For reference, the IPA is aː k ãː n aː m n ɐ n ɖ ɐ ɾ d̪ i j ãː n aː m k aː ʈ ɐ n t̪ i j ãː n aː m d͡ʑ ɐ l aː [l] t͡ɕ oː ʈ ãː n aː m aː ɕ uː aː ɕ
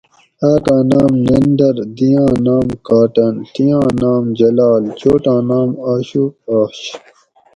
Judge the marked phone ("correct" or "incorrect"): correct